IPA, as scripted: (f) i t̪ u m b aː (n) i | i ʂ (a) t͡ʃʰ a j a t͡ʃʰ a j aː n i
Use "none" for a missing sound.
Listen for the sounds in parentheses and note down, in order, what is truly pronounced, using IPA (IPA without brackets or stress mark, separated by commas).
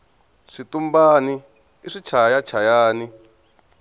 ʂ, n, i